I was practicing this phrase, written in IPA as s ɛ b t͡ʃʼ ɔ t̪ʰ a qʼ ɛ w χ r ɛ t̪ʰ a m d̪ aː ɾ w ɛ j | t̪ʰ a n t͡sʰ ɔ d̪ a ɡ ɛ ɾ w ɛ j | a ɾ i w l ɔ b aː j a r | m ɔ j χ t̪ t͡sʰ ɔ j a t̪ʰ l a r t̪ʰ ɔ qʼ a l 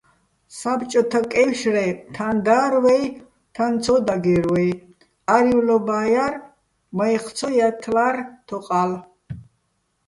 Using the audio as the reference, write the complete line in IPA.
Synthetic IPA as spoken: s a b t͡ʃʼ ɔ t̪ʰ a kʼ ɛ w ʃ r ɛ t̪ʰ a n d̪ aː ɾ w ɛ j | t̪ʰ a n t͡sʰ ɔ d̪ a ɡ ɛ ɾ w ɛ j | a ɾ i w l ɔ b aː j a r | m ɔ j χ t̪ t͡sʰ ɔ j a t̪ʰ l a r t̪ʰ ɔ qʼ a l